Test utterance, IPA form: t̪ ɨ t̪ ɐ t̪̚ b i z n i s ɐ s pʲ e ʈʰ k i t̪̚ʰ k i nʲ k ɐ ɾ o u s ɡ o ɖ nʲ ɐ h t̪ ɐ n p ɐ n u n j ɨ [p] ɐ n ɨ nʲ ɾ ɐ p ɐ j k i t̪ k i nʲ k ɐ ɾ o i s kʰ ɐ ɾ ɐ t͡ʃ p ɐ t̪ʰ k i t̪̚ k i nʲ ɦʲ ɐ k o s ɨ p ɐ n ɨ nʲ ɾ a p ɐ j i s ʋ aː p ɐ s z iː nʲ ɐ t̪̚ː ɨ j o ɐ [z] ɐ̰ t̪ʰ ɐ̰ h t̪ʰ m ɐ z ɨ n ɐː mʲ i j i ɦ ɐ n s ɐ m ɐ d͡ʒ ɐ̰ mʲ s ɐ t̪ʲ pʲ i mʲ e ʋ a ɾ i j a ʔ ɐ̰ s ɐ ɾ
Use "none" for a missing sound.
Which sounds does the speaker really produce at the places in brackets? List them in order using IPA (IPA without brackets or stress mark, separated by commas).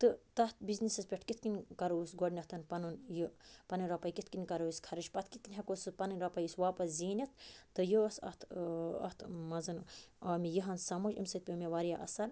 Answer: p, s